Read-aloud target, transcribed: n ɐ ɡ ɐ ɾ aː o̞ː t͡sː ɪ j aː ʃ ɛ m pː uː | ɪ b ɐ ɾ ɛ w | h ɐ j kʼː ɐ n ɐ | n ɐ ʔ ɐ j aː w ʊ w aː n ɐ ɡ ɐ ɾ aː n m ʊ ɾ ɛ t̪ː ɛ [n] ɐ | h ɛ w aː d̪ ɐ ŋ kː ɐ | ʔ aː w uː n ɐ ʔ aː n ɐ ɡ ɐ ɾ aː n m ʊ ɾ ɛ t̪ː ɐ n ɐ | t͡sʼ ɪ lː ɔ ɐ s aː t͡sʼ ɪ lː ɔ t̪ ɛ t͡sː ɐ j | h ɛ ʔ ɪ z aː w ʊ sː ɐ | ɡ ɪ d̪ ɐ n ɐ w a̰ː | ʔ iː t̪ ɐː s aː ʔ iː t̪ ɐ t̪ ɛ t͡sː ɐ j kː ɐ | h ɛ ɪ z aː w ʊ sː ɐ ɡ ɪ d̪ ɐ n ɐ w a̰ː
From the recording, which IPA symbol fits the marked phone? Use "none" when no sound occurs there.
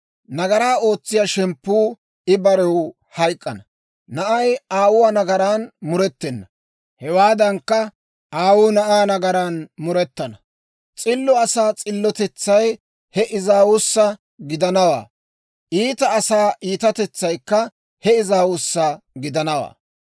nː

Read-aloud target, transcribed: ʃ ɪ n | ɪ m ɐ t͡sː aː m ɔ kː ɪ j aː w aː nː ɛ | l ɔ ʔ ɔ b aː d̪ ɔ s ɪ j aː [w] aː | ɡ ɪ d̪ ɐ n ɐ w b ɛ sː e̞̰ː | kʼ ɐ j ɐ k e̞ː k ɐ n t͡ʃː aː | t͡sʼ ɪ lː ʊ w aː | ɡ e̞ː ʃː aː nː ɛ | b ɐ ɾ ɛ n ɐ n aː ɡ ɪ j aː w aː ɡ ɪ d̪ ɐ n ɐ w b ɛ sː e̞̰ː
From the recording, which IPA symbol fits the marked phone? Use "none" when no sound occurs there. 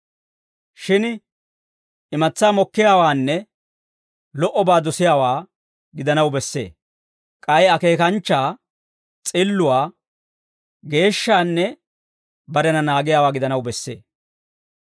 w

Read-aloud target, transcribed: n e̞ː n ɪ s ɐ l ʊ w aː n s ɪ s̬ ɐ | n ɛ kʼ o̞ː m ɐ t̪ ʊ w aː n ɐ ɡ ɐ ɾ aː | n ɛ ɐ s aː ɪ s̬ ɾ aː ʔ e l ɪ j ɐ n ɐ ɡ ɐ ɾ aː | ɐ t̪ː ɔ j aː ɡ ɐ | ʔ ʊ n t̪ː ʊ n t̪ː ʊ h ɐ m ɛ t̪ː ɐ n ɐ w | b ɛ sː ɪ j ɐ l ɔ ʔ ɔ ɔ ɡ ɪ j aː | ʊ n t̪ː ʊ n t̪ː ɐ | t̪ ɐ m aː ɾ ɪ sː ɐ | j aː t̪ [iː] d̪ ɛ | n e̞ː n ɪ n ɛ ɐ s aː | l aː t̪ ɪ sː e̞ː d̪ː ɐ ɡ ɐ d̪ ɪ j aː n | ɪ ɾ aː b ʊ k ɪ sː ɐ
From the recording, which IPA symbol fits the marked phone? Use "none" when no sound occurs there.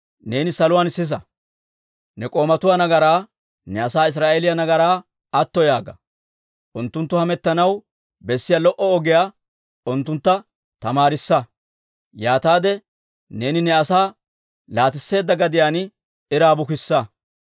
aː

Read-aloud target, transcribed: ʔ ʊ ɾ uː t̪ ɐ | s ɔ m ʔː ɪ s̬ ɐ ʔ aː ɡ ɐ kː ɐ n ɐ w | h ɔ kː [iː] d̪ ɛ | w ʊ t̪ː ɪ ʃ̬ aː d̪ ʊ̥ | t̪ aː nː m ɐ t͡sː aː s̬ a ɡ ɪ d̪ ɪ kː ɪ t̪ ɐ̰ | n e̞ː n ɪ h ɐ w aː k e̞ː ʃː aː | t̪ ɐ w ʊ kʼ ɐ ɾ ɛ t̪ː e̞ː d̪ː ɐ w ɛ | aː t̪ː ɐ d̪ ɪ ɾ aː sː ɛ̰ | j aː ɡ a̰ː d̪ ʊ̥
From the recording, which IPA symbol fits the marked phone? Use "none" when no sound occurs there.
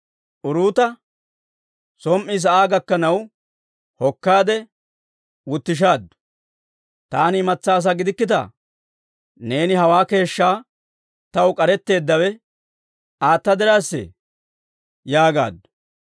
aː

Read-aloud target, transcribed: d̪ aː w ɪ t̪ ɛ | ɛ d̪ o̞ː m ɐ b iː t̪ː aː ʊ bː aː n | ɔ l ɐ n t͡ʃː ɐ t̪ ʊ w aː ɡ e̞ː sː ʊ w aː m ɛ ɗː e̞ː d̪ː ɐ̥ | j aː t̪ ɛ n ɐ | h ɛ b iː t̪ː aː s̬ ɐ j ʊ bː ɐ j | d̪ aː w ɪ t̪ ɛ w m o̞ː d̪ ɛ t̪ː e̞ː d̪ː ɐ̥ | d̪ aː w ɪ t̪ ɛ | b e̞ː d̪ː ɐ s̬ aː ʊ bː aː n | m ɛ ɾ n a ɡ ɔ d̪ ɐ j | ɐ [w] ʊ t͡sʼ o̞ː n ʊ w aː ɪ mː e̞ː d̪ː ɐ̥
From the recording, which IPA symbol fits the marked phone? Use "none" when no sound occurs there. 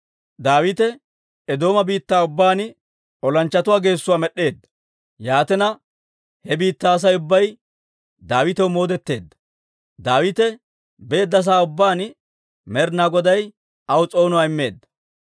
w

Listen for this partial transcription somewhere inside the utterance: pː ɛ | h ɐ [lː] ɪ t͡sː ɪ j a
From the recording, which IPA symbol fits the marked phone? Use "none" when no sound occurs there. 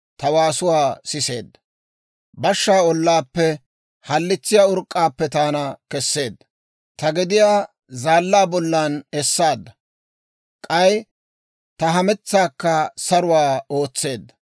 lː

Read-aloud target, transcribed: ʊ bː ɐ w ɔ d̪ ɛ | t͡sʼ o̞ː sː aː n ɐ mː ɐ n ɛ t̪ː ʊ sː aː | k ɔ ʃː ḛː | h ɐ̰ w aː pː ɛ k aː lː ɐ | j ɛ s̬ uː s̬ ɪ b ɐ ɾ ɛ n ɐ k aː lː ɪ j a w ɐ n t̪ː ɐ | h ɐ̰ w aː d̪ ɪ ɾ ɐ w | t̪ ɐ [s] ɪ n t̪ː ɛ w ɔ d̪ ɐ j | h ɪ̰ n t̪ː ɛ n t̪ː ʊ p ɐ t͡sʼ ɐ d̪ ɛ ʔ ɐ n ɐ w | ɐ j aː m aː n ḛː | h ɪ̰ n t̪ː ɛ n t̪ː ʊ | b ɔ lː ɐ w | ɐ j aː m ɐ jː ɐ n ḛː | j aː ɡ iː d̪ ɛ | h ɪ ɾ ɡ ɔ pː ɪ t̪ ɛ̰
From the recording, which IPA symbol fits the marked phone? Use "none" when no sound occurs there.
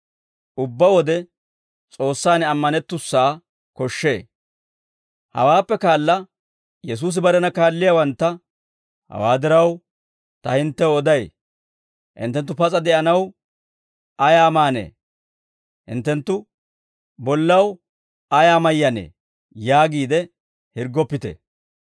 h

